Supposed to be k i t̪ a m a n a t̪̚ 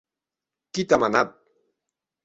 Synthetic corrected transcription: k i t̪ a m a n a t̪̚